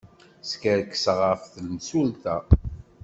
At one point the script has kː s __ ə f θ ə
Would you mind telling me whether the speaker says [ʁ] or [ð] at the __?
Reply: ʁ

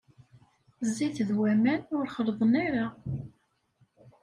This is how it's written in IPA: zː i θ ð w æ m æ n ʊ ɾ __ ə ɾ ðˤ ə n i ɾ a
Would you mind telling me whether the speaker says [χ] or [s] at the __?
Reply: χ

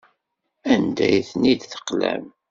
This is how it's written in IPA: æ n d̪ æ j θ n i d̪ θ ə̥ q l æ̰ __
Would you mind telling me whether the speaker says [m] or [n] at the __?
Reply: m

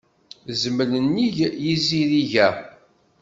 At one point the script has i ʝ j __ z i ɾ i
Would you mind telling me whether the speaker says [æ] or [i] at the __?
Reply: i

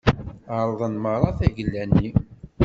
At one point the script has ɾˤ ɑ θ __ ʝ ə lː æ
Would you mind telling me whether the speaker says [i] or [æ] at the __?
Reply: æ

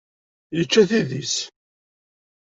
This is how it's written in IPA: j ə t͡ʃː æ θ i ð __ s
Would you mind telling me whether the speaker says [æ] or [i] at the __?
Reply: i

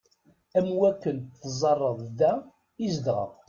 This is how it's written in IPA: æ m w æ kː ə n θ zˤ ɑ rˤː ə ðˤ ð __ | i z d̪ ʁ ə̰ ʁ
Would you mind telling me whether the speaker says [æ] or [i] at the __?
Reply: æ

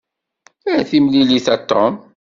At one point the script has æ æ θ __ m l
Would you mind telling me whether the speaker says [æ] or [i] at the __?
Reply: i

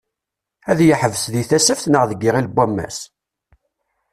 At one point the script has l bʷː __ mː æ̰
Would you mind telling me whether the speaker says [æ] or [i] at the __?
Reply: æ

